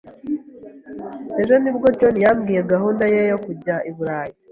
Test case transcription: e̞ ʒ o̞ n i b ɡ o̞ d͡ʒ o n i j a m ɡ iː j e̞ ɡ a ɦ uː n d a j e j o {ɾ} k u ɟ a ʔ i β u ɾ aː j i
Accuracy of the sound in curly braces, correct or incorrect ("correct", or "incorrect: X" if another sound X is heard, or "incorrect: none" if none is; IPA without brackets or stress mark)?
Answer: incorrect: none